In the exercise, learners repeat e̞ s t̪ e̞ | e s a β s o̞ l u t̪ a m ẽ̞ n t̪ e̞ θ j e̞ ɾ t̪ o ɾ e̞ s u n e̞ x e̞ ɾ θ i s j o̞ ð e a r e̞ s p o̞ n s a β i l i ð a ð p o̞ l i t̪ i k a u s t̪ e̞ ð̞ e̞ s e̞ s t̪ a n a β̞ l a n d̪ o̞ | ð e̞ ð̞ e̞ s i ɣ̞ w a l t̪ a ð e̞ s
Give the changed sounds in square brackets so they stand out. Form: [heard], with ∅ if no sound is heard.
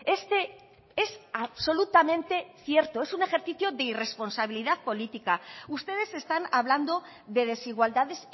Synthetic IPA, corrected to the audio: e̞ s t̪ e̞ | e s a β s o̞ l u t̪ a m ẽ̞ n t̪ e̞ θ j e̞ ɾ t̪ o [∅] e̞ s u n e̞ x e̞ ɾ θ i [θ] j o̞ ð e [i] r e̞ s p o̞ n s a β i l i ð a ð p o̞ l i t̪ i k a u s t̪ e̞ ð̞ e̞ s e̞ s t̪ a n a β̞ l a n d̪ o̞ | ð e̞ ð̞ e̞ s i ɣ̞ w a l [d̪] a ð e̞ s